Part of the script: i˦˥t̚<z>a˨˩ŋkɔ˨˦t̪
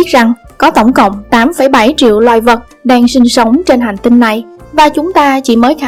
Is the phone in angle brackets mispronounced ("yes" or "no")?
no